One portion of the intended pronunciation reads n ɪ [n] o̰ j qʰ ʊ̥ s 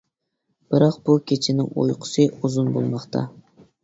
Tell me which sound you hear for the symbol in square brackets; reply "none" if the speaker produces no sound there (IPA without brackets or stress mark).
ŋ